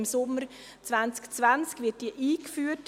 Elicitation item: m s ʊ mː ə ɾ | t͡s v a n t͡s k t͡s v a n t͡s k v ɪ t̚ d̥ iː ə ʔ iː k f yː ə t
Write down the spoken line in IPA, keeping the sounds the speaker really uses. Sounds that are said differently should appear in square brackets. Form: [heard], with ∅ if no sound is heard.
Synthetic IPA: m s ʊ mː ə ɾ | t͡s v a n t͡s k t͡s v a n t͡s k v ɪ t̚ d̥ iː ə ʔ iː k f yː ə t